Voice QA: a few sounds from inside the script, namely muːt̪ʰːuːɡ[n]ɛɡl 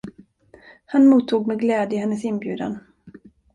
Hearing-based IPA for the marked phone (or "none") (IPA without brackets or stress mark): m